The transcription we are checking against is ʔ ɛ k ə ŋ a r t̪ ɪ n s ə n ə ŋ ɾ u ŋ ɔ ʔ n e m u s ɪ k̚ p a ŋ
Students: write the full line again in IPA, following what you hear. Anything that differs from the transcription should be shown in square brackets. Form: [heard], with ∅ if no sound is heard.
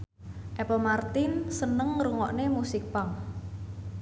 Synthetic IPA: ʔ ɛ [p] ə [m] a r t̪ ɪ n s ə n ə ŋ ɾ u ŋ ɔ ʔ n e m u s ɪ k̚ p a ŋ